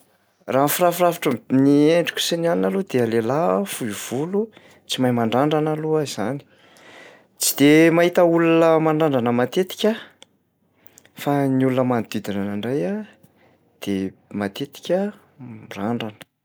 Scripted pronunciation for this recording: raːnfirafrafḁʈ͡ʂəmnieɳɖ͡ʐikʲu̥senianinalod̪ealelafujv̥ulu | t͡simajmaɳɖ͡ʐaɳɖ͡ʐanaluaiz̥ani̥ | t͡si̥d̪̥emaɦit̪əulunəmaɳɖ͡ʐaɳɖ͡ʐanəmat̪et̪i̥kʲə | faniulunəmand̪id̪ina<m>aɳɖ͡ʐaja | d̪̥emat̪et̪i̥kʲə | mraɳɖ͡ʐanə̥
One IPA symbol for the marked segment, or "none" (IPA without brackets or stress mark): n